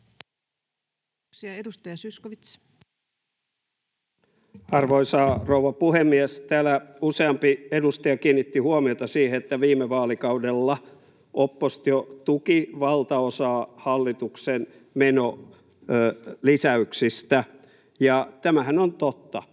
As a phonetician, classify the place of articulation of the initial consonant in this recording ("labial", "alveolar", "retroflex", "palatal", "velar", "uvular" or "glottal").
alveolar